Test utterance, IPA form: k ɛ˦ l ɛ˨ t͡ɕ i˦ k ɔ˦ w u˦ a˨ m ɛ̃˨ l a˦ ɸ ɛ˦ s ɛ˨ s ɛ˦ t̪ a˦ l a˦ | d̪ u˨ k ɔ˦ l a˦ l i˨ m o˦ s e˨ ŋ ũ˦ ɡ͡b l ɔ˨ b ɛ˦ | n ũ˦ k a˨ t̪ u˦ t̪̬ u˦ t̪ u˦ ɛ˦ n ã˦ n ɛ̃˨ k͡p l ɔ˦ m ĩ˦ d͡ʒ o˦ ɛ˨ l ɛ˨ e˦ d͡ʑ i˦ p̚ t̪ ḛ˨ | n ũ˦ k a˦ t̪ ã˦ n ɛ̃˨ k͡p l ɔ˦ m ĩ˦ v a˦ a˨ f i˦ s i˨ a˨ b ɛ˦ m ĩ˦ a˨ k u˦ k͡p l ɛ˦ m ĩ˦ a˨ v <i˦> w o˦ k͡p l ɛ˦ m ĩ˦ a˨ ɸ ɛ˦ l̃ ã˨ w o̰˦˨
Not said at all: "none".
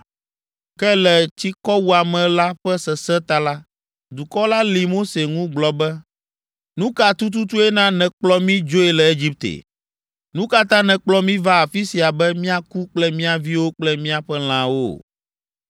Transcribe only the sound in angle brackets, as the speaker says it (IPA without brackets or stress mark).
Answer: i˦